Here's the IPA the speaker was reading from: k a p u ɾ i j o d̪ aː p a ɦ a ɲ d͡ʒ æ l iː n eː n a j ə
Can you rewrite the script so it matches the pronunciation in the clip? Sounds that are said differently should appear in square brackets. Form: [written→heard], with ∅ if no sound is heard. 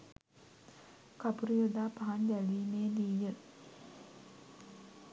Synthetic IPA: k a p u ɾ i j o d̪ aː p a ɦ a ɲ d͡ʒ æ l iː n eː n [a→i] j ə